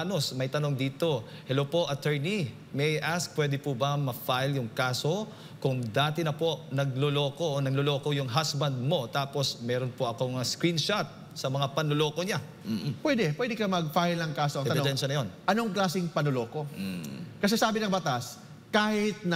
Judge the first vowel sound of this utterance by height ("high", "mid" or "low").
mid